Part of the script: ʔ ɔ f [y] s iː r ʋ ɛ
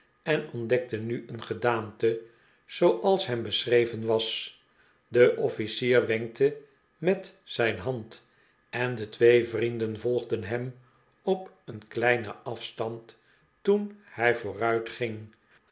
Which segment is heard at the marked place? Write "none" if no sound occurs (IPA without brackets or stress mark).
i